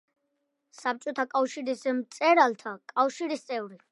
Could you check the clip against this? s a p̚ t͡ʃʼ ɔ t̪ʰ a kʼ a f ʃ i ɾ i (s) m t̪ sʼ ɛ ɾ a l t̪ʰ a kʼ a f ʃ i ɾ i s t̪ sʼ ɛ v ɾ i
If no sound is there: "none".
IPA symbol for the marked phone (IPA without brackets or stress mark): s